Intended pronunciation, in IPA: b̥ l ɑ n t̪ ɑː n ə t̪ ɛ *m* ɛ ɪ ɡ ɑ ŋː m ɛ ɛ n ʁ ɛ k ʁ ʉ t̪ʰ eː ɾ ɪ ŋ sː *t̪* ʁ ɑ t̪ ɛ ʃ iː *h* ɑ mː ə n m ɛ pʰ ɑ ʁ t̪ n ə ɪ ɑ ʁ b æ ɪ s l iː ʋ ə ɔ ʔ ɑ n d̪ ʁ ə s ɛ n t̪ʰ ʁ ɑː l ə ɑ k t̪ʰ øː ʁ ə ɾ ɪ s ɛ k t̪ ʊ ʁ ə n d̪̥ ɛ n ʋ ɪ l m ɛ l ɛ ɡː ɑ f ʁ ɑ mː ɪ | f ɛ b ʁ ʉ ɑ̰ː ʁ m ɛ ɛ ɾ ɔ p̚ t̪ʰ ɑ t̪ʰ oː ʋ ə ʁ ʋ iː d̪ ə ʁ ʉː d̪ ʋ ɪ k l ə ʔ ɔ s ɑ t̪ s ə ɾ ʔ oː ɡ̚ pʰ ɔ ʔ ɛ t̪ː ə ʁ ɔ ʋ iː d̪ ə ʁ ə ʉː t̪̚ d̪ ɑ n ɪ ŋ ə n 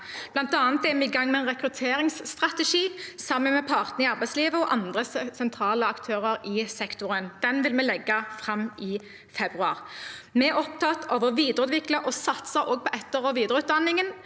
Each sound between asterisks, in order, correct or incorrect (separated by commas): correct, correct, incorrect